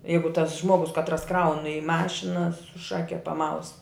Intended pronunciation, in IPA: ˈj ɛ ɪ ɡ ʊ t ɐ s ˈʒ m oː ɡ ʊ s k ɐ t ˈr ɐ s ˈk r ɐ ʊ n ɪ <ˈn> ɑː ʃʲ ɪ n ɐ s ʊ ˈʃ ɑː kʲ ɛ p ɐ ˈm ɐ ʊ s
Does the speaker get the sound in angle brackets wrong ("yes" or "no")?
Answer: yes